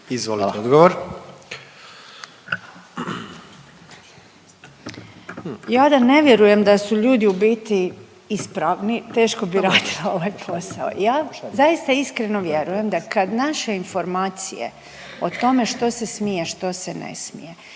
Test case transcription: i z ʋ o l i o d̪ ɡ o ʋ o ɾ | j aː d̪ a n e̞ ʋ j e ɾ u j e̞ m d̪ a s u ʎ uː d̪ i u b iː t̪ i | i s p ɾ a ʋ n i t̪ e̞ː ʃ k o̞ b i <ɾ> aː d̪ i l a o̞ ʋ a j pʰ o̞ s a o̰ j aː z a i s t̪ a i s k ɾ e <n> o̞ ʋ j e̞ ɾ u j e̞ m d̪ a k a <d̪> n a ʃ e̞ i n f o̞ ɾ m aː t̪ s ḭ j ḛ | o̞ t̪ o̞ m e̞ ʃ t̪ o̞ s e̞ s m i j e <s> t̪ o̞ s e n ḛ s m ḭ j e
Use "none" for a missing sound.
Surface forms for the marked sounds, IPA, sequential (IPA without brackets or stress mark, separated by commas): ɾ, n, d̪, ʃ